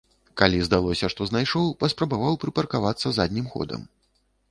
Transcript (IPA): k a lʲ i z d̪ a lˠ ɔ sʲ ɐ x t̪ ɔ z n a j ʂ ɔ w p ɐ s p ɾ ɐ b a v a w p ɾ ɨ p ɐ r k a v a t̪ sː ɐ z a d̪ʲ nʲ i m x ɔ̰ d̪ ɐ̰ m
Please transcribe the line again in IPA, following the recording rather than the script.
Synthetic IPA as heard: k a lʲ i z d̪ a lˠ ɔ sʲ ɐ ʂ t̪ ɔ z n a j ʂ ɔ w p ɐ s p ɾ ɐ b a v a w p ɾ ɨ p ɐ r k a v a t̪ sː ɐ z a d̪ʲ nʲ i m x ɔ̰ d̪ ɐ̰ m